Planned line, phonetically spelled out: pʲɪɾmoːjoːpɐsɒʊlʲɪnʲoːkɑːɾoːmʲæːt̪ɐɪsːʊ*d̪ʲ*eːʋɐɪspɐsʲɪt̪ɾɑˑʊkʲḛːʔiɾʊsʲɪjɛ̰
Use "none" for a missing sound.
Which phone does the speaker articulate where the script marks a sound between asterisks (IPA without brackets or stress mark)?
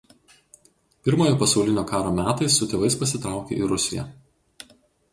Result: t̪ʲ